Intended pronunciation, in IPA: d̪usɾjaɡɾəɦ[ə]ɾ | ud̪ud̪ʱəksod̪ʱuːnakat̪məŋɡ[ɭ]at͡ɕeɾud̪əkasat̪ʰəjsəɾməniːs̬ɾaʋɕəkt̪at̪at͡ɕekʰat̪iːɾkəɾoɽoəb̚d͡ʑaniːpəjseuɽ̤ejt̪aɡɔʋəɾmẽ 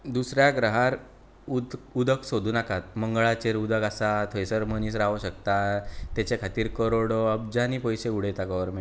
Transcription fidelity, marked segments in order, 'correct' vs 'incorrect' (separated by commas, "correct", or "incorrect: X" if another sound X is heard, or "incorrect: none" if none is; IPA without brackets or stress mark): incorrect: a, correct